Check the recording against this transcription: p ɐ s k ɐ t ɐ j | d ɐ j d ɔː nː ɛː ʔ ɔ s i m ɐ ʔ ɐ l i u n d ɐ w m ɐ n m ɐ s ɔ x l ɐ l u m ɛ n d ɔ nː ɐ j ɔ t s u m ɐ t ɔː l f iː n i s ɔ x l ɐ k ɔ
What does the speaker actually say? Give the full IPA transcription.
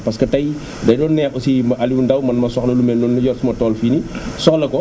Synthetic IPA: p ɐ s k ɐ t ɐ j | d ɐ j d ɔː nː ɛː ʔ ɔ s i m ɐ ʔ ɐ l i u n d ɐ w m ɐ n m ɐ s ɔ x l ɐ l u m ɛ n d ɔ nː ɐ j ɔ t s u m ɐ t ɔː l f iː n i s ɔ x l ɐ k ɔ